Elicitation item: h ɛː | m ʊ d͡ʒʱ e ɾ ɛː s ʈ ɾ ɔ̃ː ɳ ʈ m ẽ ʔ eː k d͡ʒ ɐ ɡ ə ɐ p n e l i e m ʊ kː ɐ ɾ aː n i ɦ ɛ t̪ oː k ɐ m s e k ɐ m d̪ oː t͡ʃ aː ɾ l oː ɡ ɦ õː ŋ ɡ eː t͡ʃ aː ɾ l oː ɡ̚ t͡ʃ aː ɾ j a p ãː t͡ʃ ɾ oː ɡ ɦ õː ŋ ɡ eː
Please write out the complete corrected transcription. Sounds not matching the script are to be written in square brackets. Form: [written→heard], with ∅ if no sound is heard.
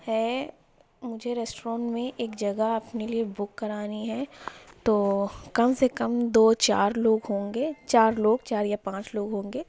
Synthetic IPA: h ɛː | m ʊ d͡ʒʱ e ɾ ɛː s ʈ ɾ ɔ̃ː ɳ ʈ m ẽ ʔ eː k d͡ʒ ɐ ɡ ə ɐ p n e l i e [m→b] ʊ kː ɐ ɾ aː n i ɦ ɛ t̪ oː k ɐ m s e k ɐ m d̪ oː t͡ʃ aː ɾ l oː ɡ ɦ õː ŋ ɡ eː t͡ʃ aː ɾ l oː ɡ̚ t͡ʃ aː ɾ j a p ãː t͡ʃ [ɾ→l] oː ɡ ɦ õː ŋ ɡ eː